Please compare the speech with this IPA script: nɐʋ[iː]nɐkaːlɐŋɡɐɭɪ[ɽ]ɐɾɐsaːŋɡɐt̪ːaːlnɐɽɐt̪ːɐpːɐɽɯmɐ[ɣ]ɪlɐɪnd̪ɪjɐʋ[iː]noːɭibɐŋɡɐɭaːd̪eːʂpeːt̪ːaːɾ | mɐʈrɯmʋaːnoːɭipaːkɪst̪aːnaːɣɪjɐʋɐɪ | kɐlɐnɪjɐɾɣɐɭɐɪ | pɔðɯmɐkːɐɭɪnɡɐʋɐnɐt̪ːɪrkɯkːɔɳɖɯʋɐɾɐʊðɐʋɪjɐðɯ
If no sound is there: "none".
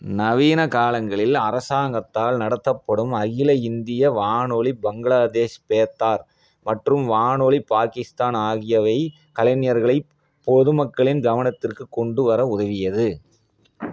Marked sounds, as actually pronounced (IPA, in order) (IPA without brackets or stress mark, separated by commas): iː, l, ɣ, aː